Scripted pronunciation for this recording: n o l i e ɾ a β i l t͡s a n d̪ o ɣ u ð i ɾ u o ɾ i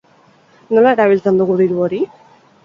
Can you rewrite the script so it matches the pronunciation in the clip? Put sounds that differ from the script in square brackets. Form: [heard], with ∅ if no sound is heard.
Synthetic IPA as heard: n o l [a] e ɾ a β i l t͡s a n d̪ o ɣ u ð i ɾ u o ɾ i

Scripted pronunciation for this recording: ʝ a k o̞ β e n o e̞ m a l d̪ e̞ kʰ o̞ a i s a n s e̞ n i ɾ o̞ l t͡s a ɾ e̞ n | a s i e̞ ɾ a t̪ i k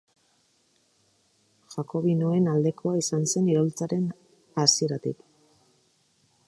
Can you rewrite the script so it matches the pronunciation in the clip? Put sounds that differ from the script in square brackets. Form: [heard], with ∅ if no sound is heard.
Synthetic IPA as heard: ʝ a k o̞ β [i] n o e̞ [n] a l d̪ e̞ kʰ o̞ a i s a n s e̞ n i ɾ o̞ l t͡s a ɾ e̞ n | a s i e̞ ɾ a t̪ i k

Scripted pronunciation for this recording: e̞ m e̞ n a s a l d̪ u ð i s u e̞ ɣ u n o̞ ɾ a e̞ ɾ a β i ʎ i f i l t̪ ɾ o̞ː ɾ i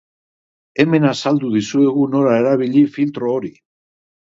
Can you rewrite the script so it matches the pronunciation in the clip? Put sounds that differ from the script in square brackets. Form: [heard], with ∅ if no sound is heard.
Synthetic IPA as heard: e̞ m e̞ n a s a l d̪ u ð i s u e̞ ɣ u n o̞ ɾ a e̞ ɾ a β i ʎ i f i l t̪ ɾ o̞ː ɾ i

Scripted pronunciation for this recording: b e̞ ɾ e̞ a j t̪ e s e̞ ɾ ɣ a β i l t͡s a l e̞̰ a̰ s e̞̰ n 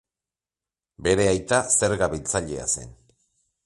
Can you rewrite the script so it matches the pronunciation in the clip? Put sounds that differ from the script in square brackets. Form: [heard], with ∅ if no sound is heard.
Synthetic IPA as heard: b e̞ ɾ e̞ a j t̪ [a] s e̞ ɾ ɣ a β i l t͡s a [ʎ] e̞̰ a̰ s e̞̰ n

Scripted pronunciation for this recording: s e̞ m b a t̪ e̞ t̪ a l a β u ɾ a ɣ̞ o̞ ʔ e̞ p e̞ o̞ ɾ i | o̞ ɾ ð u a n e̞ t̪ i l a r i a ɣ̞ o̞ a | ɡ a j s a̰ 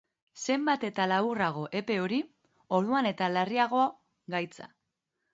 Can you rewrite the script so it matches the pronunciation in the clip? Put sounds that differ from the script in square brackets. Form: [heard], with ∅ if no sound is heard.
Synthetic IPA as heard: s e̞ m b a t̪ e̞ t̪ a l a β u [r] a ɣ̞ o̞ ʔ e̞ p e̞ o̞ ɾ i | o̞ ɾ ð u a n e̞ t̪ [a] l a r i a ɣ̞ o̞ a | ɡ a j [t͡s] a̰

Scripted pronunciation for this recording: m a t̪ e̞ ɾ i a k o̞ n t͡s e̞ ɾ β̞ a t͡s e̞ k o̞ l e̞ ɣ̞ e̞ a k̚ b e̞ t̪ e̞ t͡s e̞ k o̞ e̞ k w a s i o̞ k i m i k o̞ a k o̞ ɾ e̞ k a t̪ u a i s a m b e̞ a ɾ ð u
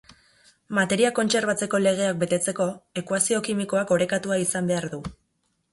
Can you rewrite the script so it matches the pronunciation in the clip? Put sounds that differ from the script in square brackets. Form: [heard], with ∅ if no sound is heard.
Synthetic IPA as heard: m a t̪ e̞ ɾ i a k o̞ n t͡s e̞ ɾ β̞ a t͡s e̞ k o̞ l e̞ ɣ̞ e̞ a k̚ b e̞ t̪ e̞ t͡s e̞ k o̞ e̞ k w a s i o̞ k i m i k o̞ a k o̞ ɾ e̞ k a t̪ u a i s a m b e̞ a ɾ ð u

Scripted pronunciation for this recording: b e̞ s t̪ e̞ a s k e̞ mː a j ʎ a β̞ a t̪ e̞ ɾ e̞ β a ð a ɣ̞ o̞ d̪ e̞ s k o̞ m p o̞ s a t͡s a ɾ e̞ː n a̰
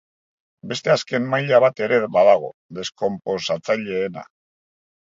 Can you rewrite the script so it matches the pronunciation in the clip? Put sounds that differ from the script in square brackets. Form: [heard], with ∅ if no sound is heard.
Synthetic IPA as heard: b e̞ s t̪ e̞ a s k e̞ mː a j ʎ a β̞ a t̪ e̞ ɾ e̞ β a ð a ɣ̞ o̞ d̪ e̞ s k o̞ m p o̞ s a t͡s a [ʎ] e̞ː n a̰

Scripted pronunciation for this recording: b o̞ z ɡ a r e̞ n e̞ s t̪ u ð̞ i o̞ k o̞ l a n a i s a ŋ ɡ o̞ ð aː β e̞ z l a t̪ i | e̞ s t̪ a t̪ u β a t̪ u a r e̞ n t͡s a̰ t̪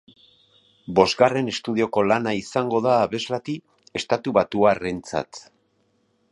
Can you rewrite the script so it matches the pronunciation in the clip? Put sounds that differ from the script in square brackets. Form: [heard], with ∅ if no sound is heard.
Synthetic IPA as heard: b o̞ z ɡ a r e̞ n e̞ s t̪ u ð̞ i o̞ k o̞ l a n a i s a ŋ ɡ o̞ ð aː β e̞ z l a t̪ i | e̞ s t̪ a t̪ u β a t̪ u a r e̞ n t͡s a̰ t̪

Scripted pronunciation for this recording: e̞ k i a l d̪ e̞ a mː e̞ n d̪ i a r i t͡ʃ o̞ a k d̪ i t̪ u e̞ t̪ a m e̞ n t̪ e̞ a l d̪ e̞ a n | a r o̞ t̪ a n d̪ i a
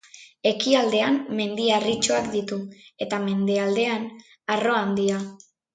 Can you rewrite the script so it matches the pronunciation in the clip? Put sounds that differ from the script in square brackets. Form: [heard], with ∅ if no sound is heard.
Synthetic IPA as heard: e̞ k i a l d̪ e̞ a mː e̞ n d̪ i a r i t͡ʃ o̞ a k d̪ i t̪ u e̞ t̪ a m e̞ n [d̪] e̞ a l d̪ e̞ a n | a r o̞ [∅] a n d̪ i a

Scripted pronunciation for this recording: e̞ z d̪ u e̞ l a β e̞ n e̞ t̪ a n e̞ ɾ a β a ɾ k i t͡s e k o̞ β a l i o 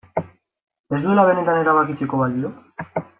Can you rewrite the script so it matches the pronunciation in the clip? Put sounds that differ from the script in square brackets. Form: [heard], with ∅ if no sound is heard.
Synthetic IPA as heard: e̞ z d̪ u e̞ l a β e̞ n e̞ t̪ a n e̞ ɾ a β a [∅] k i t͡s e k o̞ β a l i o

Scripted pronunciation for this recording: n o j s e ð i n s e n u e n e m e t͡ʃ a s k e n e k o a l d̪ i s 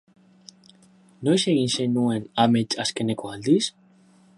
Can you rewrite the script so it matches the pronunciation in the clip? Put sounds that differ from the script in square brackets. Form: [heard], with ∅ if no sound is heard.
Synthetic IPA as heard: n o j s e [ɣ] i n s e n u e n [a] m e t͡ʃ a s k e n e k o a l d̪ i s

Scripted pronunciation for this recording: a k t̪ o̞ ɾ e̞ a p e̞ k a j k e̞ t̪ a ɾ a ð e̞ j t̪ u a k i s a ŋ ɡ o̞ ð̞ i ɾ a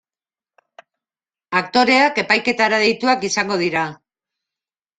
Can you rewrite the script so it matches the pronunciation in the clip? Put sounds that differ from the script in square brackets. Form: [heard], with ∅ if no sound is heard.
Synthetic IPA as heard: a k t̪ o̞ ɾ e̞ a [k] e̞ [p] a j k e̞ t̪ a ɾ a ð e̞ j t̪ u a k i s a ŋ ɡ o̞ ð̞ i ɾ a

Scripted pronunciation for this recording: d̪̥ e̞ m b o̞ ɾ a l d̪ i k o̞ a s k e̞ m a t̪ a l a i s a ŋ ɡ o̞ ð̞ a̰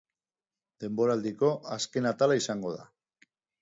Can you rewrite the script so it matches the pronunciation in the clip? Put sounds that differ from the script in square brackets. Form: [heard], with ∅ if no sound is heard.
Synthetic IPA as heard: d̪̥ e̞ m b o̞ ɾ a l d̪ i k o̞ a s k e̞ [n] a t̪ a l a i s a ŋ ɡ o̞ ð̞ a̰

